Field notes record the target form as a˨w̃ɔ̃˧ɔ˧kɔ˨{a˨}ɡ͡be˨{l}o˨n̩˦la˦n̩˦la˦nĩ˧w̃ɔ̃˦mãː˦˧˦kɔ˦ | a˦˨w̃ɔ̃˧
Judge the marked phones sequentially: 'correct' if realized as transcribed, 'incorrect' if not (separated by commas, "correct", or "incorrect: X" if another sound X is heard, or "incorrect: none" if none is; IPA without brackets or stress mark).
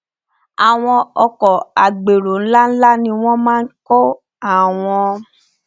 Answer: correct, incorrect: ɾ